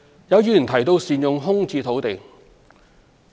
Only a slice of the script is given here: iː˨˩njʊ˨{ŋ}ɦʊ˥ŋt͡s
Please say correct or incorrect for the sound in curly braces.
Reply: correct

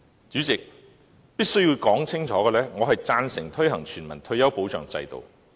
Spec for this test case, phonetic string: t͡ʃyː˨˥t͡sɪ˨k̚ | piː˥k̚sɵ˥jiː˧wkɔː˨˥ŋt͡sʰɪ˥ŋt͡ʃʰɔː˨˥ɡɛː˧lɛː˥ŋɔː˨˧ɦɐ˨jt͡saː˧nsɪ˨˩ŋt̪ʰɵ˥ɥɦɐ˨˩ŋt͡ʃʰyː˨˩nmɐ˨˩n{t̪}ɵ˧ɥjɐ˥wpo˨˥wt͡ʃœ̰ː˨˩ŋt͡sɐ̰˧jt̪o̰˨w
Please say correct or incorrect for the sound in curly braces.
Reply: incorrect: t̪ʰ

